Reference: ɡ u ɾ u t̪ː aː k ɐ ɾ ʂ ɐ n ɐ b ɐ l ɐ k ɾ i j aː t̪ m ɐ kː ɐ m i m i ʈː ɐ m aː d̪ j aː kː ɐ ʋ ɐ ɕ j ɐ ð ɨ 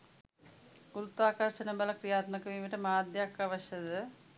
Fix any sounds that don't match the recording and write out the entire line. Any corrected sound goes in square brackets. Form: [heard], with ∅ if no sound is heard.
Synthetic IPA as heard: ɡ u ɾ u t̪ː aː k ɐ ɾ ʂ ɐ n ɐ b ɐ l ɐ k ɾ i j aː t̪ m ɐ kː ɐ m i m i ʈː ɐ m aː d̪ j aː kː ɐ ʋ ɐ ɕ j ɐ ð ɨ